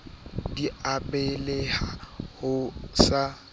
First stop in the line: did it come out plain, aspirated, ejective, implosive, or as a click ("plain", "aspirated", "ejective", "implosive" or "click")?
plain